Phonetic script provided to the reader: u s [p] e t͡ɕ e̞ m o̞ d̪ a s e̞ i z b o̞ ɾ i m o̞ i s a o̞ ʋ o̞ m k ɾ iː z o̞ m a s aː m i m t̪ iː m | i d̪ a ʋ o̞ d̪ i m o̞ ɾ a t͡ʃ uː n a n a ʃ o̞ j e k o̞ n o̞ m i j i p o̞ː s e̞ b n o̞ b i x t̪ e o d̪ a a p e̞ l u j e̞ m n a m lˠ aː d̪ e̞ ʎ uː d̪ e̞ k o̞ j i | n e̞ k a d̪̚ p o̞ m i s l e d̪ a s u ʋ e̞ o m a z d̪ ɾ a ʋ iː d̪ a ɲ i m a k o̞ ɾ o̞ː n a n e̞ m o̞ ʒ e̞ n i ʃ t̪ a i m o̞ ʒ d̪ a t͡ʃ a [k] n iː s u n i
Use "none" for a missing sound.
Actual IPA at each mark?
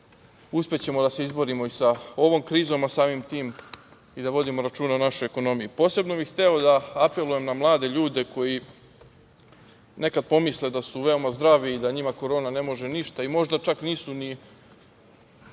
p, k

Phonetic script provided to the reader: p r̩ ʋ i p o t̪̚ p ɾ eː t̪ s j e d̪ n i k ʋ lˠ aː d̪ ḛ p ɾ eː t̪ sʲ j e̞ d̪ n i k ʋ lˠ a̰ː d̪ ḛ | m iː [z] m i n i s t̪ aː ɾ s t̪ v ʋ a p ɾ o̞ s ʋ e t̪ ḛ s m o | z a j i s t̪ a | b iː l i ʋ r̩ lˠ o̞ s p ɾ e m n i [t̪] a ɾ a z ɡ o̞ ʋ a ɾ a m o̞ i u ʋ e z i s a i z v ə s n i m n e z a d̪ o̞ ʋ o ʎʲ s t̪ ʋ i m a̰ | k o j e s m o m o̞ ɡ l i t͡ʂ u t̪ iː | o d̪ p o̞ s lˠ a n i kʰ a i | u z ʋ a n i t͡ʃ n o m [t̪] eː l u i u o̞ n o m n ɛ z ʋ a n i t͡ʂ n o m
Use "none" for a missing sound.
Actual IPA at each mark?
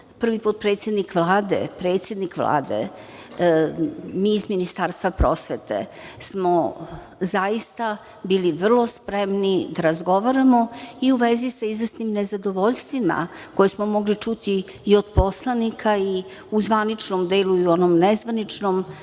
z, d̪, d̪

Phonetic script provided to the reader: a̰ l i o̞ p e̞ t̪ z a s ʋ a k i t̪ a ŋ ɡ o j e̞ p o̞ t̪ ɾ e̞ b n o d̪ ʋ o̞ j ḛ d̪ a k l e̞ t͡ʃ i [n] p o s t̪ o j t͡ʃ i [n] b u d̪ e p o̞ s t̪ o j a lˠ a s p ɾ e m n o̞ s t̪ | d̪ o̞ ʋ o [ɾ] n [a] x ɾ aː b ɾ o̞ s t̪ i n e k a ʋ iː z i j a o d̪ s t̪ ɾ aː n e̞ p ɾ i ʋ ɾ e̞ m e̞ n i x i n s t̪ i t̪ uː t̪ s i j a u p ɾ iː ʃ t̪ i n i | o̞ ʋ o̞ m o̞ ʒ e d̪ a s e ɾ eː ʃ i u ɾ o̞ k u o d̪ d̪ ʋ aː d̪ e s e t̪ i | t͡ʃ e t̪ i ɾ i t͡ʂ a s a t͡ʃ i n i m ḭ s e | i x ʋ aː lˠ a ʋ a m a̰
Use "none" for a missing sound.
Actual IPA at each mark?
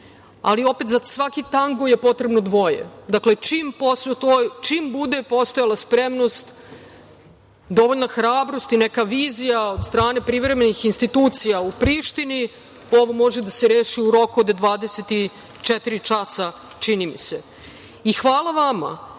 m, m, ʎ, a

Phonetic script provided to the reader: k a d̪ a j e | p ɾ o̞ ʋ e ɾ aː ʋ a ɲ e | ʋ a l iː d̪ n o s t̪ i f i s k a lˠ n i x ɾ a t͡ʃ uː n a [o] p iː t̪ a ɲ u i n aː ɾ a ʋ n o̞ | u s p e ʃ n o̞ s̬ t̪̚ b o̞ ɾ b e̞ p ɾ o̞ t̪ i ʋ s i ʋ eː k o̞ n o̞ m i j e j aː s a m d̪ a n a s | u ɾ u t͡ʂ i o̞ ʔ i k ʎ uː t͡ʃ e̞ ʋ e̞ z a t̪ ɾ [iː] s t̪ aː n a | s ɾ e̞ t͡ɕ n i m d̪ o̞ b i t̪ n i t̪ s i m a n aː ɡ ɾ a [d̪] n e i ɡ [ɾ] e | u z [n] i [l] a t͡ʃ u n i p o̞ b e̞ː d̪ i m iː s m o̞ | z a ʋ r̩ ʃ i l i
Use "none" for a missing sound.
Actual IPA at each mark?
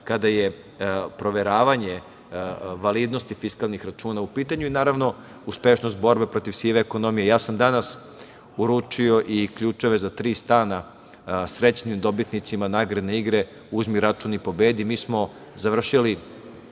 u, iː, d̪, ɾ, m, ɾ

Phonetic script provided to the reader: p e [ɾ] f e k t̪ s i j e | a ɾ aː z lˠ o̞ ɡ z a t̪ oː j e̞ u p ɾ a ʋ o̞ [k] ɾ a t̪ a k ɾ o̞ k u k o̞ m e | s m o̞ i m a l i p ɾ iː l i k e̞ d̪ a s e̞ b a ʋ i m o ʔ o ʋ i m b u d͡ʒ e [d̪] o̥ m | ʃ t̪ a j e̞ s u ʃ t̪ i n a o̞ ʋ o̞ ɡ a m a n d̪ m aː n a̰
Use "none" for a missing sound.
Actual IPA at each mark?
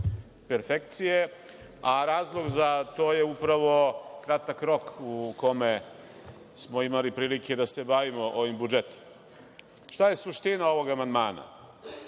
ɾ, k, t̪

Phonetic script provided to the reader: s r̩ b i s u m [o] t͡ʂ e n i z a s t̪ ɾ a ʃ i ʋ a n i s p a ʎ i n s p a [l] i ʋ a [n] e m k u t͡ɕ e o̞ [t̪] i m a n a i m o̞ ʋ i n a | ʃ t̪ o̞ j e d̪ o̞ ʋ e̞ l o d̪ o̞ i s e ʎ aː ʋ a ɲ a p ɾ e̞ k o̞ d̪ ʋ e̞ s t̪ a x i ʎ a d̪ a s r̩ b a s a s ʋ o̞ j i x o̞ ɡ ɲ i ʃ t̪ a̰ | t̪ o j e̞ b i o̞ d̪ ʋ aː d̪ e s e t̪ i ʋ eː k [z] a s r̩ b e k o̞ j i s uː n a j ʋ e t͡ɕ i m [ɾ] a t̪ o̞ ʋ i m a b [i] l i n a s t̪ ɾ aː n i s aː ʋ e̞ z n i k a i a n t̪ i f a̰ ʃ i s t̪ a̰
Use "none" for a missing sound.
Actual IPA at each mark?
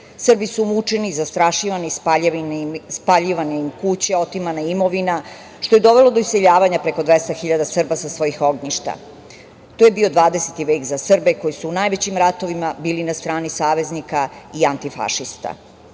u, ʎ, n, t̪, z, ɾ, iː

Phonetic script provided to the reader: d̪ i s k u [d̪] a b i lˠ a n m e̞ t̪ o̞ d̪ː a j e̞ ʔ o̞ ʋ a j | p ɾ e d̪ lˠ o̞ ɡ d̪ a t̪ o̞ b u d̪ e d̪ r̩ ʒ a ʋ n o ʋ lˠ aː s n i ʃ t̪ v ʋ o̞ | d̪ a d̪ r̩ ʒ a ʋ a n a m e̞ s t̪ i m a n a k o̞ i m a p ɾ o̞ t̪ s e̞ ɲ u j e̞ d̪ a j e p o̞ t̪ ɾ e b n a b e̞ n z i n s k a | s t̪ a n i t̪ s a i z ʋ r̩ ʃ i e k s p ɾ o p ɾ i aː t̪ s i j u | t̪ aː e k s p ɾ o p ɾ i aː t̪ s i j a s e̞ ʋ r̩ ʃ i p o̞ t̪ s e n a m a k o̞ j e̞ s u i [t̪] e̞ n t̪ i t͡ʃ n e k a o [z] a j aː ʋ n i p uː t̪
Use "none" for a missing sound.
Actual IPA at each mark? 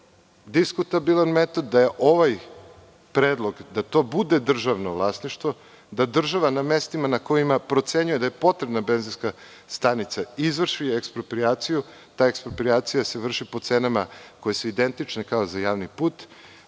t̪, d̪, z

